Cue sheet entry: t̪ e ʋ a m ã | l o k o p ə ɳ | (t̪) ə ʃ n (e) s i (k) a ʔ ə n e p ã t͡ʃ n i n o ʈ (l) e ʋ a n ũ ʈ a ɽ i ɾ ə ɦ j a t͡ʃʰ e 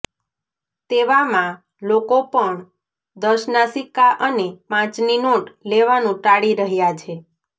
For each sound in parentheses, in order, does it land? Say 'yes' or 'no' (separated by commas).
no, no, yes, yes